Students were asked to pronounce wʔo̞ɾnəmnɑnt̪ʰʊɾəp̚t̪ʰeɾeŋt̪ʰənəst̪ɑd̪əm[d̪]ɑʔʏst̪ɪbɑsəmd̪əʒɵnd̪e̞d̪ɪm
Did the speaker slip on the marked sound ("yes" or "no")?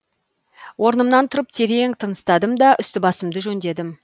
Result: no